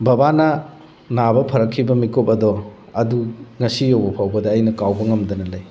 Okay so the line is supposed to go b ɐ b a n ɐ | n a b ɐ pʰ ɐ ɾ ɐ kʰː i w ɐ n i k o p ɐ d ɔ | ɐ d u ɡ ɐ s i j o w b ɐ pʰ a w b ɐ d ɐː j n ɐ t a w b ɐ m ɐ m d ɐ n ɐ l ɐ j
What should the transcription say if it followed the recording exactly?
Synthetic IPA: b ɐ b a n ɐ | n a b ɐ pʰ ɐ ɾ ɐ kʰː i b ɐ m i k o p ɐ d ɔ | ɐ d u ŋ ɐ s i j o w b ɐ pʰ a w b ɐ d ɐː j n ɐ k a w b ɐ ŋ ɐ m d ɐ n ɐ l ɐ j

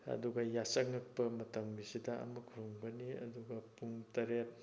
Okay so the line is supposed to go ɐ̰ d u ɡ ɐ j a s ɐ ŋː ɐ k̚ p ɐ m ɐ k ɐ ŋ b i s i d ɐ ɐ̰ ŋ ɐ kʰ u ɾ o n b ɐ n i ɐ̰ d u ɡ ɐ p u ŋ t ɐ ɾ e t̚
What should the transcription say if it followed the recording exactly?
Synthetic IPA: ɐ̰ d u ɡ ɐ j a s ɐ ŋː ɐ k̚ p ɐ m ɐ t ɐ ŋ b i s i d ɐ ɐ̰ m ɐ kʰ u ɾ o ŋ b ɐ n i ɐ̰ d u ɡ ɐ p u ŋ t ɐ ɾ e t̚

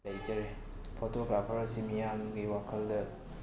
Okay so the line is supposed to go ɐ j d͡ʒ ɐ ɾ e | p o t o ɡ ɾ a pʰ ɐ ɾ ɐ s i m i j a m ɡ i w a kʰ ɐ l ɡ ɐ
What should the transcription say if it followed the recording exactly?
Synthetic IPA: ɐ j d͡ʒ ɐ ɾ e | pʰ o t o ɡ ɾ a pʰ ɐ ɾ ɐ s i m i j a m ɡ i w a kʰ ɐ l d ɐ

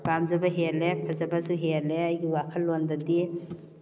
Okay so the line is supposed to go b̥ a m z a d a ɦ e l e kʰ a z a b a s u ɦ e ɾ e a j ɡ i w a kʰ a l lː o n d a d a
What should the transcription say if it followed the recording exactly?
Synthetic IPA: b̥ a m z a b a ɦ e l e pʰ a z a b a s u ɦ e l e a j ɡ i w a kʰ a l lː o n d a d i

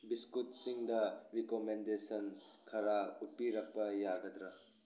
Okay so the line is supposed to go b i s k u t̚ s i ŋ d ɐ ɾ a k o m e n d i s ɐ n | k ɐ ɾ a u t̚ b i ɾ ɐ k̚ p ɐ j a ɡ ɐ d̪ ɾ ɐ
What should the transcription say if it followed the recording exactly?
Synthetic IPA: b i s k u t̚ s i ŋ d ɐ ɾ i k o m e n d e s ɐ n | kʰ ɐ ɾ a u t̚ p i ɾ ɐ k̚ p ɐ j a ɡ ɐ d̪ ɾ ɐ

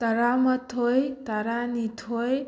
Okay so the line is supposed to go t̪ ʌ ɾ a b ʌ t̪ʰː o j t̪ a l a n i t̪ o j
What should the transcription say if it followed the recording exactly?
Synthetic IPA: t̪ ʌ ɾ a m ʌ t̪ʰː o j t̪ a ɾ a n i t̪ʰ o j

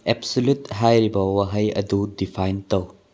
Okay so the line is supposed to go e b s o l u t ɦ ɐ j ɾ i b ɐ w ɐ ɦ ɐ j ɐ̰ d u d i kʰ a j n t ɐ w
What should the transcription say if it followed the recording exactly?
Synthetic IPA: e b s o l u t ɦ a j ɾ i b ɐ w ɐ ɦ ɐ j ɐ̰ d u d i pʰ a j n t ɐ w

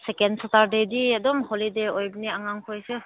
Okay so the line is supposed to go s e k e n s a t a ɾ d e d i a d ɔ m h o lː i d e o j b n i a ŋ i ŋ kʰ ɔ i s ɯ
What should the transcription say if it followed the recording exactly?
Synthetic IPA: s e k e n s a t a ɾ d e d i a d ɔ m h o l i d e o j b n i a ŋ a ŋ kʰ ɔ j s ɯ

